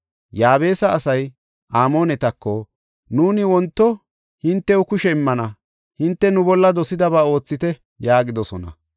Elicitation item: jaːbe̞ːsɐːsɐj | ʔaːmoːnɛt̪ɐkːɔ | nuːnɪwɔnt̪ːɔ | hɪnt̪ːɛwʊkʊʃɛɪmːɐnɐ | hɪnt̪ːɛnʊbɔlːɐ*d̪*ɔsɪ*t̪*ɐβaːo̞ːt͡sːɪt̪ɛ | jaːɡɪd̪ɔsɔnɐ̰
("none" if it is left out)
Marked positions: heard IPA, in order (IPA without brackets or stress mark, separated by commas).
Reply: d̪, d̪